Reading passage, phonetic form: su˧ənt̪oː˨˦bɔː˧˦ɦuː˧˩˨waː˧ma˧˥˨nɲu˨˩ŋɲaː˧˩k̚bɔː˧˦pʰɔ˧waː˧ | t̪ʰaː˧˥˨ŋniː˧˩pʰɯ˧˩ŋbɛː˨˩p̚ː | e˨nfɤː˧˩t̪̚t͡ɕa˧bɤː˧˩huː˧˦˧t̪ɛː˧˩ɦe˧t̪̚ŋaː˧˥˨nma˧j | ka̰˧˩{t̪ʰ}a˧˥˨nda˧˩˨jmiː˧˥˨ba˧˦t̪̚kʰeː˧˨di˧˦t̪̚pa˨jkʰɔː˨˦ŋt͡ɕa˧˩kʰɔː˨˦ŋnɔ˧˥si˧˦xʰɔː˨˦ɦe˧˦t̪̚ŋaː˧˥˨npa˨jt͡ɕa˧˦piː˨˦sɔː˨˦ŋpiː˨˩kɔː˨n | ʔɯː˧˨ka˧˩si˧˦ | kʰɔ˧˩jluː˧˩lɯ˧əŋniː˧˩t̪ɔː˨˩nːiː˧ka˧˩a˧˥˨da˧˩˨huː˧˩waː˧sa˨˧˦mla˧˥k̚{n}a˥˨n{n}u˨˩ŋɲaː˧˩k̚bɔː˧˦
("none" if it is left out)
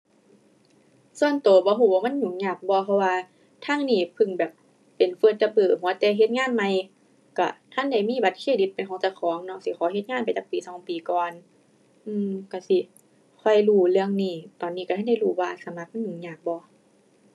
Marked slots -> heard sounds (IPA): t̪ʰ, m, ɲ

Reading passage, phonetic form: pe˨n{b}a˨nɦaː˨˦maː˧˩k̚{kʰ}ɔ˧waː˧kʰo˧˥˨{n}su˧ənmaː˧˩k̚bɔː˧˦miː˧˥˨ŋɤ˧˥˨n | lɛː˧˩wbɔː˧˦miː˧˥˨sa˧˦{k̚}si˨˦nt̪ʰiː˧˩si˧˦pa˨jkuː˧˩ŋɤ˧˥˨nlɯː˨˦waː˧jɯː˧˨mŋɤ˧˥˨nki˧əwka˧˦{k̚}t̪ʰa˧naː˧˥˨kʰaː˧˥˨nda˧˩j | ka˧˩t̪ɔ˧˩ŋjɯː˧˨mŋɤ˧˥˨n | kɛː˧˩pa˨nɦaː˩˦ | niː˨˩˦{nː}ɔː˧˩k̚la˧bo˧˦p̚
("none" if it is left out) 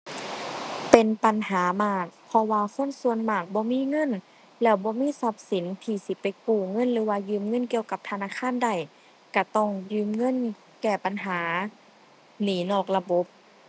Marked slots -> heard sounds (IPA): p, pʰ, n, p̚, p̚, n

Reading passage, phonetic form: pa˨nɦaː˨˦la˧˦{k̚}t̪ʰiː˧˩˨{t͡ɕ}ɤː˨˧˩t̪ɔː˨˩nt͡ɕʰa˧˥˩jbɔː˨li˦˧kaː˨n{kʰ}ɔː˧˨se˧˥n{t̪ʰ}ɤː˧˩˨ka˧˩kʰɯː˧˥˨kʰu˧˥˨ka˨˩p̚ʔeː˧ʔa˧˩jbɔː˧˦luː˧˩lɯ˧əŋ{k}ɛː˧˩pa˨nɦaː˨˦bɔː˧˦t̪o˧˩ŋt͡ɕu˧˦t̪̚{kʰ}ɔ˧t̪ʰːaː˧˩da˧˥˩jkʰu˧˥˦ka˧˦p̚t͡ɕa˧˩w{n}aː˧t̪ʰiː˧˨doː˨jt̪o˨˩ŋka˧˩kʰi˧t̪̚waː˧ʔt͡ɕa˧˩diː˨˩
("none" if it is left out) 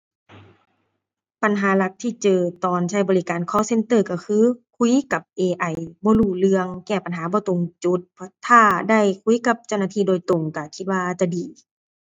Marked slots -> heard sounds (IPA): k̚, t͡ɕ, kʰ, t̪, k, pʰ, n

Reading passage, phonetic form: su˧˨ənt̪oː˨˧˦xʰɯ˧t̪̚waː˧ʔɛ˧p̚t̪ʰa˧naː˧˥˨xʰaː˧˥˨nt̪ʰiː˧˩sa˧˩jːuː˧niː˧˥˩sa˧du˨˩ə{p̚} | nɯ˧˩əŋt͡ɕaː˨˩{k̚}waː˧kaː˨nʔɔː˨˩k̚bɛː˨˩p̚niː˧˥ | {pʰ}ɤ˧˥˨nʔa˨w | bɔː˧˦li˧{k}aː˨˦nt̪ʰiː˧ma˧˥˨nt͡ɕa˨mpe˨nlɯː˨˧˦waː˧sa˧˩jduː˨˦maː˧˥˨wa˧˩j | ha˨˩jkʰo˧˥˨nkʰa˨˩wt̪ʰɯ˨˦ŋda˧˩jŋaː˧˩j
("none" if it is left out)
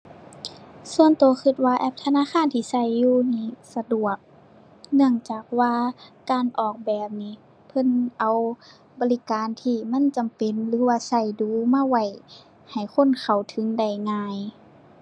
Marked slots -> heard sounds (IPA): k̚, k̚, pʰ, k

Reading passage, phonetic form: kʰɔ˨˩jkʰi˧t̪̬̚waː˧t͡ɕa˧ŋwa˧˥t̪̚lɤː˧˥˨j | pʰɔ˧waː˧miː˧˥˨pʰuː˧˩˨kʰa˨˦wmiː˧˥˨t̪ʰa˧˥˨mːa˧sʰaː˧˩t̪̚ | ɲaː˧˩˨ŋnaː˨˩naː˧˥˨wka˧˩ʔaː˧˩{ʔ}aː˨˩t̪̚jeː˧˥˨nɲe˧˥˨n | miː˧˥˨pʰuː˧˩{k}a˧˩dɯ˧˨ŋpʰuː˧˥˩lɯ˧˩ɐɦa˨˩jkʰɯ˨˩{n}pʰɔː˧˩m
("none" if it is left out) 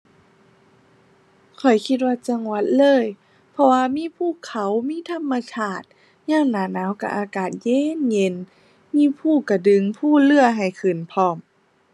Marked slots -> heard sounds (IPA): k, k, n

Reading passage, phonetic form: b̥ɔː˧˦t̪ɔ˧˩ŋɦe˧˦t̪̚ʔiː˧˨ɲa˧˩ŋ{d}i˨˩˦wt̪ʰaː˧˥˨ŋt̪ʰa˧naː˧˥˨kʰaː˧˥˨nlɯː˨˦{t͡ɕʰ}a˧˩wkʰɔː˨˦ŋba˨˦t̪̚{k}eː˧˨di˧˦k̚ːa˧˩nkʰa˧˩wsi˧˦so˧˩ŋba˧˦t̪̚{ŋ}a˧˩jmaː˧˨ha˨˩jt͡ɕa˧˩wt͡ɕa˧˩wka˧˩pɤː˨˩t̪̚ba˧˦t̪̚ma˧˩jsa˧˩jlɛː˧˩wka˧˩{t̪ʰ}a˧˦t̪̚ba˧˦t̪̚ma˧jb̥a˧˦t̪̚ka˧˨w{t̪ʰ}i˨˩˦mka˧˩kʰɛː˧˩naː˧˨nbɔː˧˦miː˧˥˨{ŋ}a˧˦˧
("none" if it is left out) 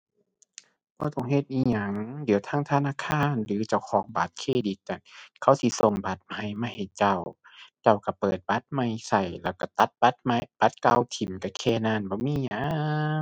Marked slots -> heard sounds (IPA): d, t͡ɕ, kʰ, m, t̪, t̪ʰ, ɲ

